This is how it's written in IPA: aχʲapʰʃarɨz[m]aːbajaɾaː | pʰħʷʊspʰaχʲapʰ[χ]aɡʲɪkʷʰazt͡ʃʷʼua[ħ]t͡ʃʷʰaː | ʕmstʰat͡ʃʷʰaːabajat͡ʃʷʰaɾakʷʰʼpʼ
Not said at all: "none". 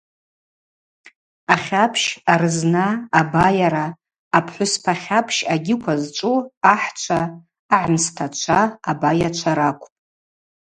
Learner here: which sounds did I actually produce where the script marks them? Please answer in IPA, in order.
n, ʃ, ħ

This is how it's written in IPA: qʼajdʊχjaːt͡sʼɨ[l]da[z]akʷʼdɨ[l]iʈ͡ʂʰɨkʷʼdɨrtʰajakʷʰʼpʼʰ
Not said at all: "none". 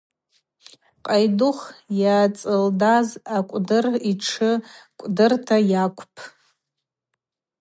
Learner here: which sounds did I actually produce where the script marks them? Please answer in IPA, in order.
l, z, r

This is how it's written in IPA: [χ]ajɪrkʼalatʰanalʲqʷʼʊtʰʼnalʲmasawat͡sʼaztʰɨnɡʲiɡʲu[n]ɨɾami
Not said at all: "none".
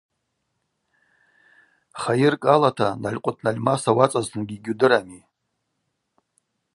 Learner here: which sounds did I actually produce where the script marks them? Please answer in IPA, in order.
χ, d

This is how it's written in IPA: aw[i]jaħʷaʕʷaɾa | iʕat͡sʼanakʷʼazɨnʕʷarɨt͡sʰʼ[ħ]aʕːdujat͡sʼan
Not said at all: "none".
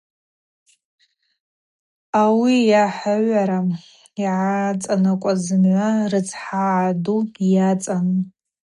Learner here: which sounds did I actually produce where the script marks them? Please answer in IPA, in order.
i, ħ

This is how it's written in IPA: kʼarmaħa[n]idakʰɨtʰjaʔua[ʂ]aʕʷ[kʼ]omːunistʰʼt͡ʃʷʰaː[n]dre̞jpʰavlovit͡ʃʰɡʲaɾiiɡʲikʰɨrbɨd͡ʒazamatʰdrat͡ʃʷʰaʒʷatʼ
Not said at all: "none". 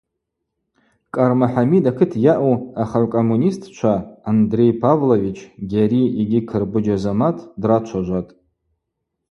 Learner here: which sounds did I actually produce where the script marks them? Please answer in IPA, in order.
m, χ, kʼ, n

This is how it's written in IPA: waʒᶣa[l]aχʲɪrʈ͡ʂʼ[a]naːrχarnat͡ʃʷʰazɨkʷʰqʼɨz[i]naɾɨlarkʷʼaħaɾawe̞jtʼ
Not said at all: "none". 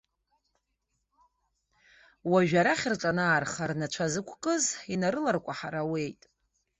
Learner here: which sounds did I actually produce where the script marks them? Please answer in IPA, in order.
ɾ, a, i

